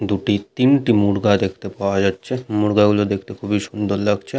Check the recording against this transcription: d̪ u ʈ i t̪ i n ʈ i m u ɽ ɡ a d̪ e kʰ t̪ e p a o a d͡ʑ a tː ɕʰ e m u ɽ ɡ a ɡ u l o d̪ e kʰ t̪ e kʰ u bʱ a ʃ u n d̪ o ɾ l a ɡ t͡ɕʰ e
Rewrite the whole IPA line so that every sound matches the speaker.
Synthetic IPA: d̪ u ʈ i t̪ i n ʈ i m u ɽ ɡ a d̪ e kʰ t̪ e p a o a d͡ʑ a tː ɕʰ e m u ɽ ɡ a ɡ u l o d̪ e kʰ t̪ e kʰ u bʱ i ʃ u n d̪ o ɾ l a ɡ t͡ɕʰ e